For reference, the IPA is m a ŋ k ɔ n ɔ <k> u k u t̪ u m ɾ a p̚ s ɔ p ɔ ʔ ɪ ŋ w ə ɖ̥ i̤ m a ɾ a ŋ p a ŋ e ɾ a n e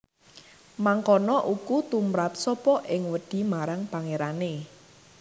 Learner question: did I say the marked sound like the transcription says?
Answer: no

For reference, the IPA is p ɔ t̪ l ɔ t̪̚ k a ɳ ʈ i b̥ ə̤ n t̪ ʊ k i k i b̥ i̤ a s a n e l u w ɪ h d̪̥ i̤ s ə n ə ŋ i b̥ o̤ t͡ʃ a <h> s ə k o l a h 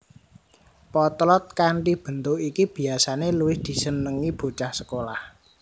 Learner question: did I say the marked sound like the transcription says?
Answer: yes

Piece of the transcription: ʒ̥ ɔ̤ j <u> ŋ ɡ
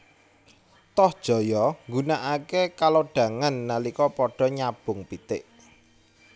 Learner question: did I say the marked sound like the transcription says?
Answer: no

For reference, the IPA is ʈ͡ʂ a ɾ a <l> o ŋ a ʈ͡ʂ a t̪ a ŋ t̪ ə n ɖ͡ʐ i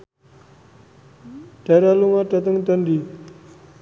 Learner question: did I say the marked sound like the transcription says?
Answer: yes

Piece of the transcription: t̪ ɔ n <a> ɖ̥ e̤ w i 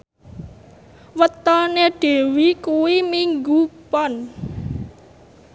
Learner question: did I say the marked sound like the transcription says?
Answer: no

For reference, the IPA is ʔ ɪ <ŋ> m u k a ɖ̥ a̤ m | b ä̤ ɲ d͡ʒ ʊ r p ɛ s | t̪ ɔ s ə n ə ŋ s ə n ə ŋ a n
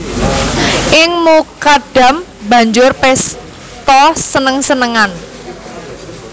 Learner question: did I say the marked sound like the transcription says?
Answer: yes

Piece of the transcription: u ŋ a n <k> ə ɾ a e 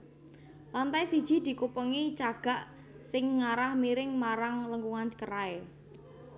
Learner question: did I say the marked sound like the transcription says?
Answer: yes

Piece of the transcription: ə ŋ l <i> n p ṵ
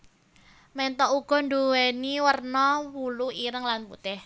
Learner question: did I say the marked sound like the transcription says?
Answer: no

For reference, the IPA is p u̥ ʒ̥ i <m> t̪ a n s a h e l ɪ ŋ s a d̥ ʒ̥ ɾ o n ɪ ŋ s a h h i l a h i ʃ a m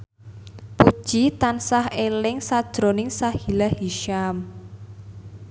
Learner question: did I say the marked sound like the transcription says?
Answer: no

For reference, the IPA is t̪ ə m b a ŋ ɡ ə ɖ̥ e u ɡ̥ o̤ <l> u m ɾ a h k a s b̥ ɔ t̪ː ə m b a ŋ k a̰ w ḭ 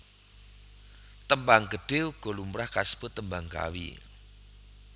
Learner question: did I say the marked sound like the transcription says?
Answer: yes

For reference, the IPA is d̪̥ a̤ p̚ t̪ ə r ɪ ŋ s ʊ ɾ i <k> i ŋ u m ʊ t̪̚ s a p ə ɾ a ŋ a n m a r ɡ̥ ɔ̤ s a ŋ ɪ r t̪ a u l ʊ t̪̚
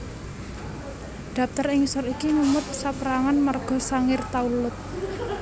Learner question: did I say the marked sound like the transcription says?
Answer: yes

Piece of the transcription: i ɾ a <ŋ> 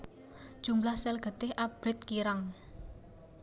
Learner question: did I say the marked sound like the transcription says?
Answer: yes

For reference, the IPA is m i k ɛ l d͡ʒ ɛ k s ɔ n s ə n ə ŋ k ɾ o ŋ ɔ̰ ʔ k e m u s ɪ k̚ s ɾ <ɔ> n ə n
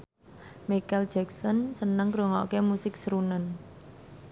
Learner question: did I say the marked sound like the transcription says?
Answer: no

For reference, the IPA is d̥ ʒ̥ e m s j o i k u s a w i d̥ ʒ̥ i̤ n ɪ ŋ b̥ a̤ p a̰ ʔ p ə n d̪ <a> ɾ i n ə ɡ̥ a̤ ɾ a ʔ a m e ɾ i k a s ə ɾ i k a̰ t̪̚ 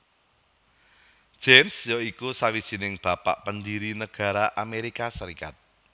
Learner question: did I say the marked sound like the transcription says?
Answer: no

